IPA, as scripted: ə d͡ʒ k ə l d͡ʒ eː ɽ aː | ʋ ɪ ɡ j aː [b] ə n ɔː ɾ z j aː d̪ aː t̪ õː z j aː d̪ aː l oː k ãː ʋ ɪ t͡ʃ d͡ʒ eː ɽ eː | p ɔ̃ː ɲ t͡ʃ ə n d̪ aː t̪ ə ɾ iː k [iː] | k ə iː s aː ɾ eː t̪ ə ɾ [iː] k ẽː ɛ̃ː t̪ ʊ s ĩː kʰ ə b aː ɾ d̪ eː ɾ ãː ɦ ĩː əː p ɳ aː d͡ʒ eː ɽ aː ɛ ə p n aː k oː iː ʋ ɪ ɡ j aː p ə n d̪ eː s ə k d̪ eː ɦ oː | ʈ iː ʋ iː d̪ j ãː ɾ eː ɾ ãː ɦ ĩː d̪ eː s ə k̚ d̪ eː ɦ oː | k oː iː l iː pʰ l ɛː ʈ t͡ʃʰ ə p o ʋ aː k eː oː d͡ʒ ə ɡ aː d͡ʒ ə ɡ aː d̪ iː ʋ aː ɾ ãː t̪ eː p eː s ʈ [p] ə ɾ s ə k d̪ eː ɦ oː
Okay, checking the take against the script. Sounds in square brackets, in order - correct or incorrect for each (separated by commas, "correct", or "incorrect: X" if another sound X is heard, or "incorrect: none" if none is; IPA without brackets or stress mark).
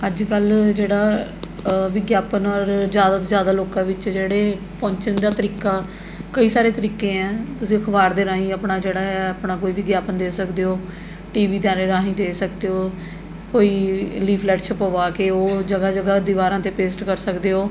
incorrect: p, incorrect: aː, correct, incorrect: k